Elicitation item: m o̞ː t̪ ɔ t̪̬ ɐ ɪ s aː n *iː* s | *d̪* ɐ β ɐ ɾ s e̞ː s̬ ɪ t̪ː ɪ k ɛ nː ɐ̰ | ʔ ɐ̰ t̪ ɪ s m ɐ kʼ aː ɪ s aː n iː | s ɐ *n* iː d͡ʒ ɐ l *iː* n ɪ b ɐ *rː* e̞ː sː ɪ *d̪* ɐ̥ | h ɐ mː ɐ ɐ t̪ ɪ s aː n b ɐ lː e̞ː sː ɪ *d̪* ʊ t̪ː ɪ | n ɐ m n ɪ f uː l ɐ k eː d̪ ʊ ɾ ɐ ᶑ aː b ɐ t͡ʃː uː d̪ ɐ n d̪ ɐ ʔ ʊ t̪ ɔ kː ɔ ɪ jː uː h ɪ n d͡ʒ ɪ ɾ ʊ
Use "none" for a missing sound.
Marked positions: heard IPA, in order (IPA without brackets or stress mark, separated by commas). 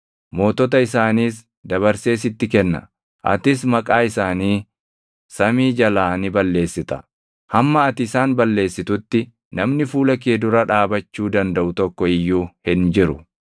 iː, d̪, m, aː, lː, t̪, t̪